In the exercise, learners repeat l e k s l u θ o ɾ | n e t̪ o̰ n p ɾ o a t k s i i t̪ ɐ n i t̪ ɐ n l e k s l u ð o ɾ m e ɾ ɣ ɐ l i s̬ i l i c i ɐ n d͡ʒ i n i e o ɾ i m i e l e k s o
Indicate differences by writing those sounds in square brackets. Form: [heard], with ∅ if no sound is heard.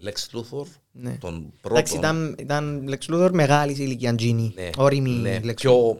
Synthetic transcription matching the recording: l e k s l u θ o ɾ | n e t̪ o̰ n p ɾ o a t k s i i t̪ ɐ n i t̪ ɐ n l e k s l u [θ] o ɾ m e [∅] ɣ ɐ l i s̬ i l i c i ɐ n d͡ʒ i n i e o ɾ i m i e l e k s o